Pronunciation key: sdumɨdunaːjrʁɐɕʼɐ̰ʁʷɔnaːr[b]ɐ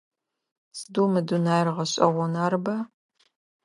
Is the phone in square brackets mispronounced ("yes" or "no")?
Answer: no